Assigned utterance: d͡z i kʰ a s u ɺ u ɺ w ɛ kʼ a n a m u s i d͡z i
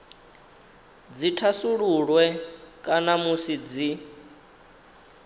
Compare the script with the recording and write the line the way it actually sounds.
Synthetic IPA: d͡z i tʰ a s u ɺ u ɺ w ɛ kʼ a n a m u s i d͡z i